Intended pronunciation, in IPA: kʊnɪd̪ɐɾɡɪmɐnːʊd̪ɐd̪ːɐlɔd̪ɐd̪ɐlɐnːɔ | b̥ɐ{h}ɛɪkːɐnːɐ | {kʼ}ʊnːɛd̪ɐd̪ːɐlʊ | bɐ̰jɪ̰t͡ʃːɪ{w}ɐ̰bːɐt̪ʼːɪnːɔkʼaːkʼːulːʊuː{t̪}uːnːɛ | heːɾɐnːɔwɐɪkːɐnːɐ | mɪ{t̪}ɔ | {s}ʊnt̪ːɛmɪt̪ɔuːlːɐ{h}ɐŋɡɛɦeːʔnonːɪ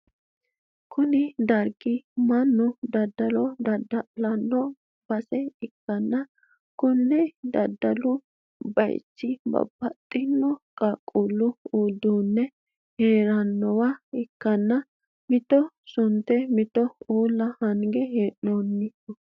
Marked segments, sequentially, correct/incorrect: incorrect: s, incorrect: k, incorrect: b, incorrect: d̪, correct, correct, correct

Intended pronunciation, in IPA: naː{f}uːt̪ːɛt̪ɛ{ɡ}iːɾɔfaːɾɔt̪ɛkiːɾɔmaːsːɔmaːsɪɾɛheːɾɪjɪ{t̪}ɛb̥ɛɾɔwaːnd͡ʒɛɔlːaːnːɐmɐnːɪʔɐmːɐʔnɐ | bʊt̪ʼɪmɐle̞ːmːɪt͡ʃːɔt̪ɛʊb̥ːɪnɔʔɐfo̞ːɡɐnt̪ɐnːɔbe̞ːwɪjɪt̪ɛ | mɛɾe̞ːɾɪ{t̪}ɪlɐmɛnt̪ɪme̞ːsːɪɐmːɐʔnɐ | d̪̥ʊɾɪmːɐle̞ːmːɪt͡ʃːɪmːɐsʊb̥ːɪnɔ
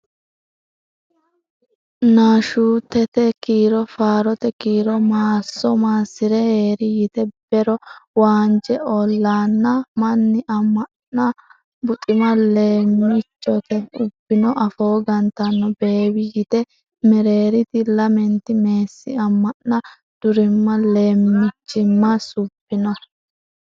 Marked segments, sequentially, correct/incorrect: incorrect: ʃ, incorrect: k, correct, correct

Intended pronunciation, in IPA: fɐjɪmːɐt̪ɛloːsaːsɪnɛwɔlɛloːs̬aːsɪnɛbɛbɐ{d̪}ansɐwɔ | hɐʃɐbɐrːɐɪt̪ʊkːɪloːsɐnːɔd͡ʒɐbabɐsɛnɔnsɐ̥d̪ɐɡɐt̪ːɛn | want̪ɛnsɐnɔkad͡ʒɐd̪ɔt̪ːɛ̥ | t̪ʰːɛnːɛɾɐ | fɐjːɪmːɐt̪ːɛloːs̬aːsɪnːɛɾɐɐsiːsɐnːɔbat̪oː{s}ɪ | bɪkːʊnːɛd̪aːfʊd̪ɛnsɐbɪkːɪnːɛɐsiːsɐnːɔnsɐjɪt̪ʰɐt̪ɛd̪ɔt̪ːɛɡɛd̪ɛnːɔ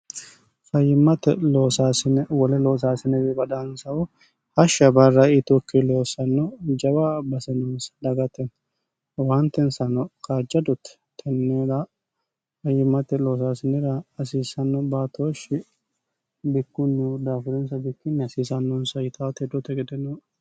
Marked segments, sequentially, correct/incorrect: correct, incorrect: ʃ

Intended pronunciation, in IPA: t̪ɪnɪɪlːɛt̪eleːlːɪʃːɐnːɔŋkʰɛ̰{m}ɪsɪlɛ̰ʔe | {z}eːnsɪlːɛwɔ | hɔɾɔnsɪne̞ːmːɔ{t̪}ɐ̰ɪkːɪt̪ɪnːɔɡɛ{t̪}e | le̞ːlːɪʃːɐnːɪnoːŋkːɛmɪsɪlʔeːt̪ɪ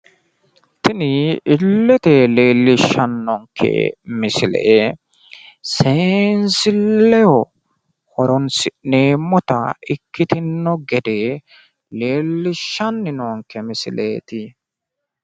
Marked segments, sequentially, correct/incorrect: correct, incorrect: s, correct, incorrect: d̪

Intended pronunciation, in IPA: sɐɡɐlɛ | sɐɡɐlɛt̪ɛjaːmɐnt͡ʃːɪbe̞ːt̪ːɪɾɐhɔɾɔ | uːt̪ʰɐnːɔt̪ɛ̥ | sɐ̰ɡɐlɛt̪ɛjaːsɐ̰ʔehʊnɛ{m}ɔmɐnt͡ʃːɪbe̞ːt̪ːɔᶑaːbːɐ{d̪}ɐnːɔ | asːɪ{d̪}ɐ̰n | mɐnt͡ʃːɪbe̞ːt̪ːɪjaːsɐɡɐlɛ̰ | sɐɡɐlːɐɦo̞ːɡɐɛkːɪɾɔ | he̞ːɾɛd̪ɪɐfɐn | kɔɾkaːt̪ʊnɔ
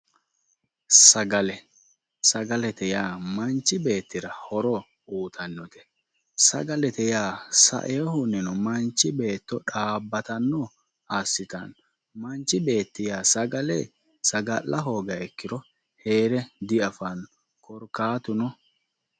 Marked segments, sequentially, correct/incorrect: incorrect: n, incorrect: t̪, incorrect: t̪

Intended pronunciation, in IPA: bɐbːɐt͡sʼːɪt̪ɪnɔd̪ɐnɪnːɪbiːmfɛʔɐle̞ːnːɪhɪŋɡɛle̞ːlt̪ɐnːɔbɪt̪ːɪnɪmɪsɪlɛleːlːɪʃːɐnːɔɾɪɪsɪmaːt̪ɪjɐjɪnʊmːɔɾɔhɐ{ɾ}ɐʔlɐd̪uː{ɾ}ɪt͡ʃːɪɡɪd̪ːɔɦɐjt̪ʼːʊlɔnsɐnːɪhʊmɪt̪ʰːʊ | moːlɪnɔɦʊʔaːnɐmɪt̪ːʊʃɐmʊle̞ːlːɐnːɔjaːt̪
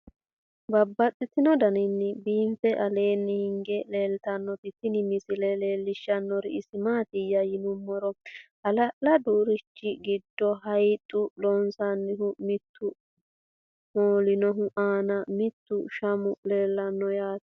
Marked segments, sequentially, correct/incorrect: incorrect: l, correct

